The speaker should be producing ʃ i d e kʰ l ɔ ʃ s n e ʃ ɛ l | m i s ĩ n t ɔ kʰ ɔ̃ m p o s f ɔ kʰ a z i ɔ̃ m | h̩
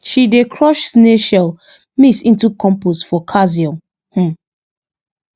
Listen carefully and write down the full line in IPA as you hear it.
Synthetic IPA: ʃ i d e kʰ ɹ ɔ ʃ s n e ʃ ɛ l | m i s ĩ n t u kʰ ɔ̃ m p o s f ɔ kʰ a z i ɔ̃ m | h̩